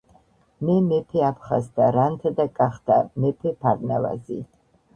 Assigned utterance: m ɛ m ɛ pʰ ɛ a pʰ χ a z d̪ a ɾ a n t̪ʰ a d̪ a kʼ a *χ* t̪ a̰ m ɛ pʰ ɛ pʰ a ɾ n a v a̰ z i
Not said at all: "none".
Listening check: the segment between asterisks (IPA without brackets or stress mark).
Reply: χ